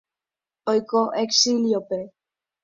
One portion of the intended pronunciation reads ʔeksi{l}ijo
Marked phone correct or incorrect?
correct